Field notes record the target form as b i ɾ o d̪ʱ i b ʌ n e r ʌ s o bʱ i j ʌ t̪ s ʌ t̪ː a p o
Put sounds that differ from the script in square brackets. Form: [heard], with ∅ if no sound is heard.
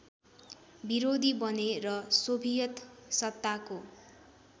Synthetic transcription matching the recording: b i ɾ o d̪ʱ i b ʌ n e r ʌ s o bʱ i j ʌ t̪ s ʌ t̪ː a [k] o